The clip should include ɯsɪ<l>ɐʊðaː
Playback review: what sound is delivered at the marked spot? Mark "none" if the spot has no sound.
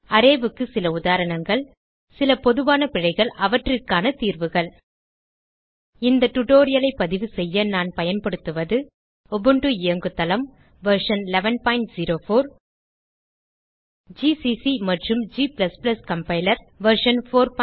l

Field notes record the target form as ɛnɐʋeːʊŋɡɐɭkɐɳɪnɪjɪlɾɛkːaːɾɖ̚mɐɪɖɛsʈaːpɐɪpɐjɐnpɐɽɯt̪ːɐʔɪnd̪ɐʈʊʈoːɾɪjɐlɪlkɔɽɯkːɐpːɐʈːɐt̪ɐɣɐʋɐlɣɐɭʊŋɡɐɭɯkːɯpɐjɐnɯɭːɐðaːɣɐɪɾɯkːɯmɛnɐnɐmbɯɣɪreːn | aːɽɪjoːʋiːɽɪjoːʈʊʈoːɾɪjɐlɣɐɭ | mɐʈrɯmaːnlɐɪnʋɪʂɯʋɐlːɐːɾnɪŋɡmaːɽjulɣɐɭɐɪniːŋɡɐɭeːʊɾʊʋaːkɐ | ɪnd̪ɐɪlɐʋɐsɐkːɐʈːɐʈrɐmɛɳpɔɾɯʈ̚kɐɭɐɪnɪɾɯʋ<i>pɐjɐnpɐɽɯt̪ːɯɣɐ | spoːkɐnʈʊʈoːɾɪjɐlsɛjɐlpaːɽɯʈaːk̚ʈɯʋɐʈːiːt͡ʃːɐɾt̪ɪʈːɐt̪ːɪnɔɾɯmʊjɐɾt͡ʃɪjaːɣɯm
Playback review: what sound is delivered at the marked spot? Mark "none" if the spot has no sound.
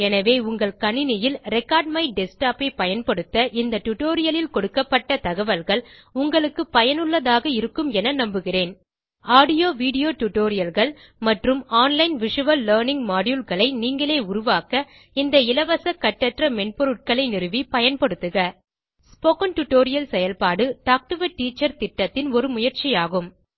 i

